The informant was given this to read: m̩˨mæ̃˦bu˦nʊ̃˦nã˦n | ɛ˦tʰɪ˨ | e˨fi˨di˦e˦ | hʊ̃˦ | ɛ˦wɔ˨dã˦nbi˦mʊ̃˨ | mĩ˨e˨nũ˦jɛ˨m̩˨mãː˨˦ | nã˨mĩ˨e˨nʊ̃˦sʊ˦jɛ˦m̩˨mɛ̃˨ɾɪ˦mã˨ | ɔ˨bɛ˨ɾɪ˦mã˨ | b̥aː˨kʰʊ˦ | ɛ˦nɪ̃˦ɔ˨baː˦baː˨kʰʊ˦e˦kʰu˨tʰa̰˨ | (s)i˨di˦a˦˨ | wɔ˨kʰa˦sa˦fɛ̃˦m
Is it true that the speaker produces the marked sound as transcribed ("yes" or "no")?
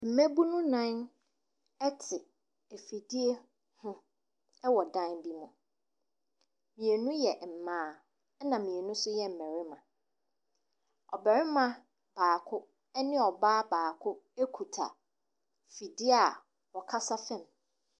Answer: no